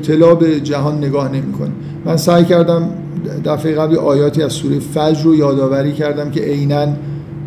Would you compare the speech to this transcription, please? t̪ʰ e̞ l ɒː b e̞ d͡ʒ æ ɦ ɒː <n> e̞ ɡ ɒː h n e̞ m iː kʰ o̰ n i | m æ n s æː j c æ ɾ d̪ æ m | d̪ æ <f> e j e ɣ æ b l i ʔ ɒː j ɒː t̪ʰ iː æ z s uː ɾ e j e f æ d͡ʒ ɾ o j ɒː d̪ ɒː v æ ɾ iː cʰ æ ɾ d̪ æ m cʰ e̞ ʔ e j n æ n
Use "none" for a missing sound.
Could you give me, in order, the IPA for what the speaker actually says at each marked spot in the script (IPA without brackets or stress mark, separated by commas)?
nː, f